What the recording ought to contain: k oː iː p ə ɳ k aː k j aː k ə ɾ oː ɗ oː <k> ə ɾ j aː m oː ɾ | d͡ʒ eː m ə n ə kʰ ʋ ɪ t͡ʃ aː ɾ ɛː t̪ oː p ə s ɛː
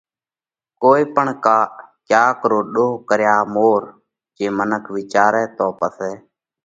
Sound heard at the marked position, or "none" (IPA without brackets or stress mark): k